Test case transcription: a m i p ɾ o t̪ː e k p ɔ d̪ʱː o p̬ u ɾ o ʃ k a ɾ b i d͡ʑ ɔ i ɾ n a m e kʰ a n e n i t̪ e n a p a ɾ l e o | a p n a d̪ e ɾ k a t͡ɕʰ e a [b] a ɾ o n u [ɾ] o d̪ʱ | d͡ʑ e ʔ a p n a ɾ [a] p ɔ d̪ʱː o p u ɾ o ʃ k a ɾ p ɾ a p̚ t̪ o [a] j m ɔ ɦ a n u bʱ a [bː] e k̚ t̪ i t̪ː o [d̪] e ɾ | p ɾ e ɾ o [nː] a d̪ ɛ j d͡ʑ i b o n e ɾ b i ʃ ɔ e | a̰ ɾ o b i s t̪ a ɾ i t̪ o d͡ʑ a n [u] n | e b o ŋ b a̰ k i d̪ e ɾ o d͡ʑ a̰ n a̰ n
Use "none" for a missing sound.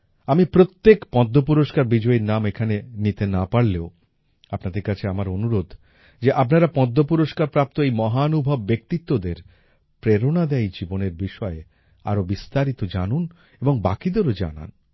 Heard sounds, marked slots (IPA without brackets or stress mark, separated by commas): m, ɾ, a, e, bː, d̪, n, u